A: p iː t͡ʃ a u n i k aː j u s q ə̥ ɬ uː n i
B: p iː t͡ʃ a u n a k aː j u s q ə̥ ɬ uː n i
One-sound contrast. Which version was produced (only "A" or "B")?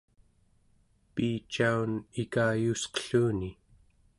A